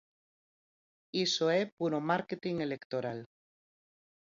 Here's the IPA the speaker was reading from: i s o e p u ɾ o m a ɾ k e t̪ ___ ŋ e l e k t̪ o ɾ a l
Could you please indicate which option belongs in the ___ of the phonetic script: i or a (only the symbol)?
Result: i